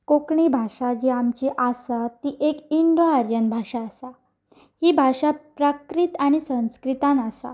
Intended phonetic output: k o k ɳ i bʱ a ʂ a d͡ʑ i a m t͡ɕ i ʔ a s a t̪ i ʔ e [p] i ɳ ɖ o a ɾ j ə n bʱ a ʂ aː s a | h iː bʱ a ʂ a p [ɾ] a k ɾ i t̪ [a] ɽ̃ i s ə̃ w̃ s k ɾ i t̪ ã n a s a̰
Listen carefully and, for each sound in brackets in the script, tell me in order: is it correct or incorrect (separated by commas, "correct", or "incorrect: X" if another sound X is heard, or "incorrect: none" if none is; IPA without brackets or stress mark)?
incorrect: k, correct, correct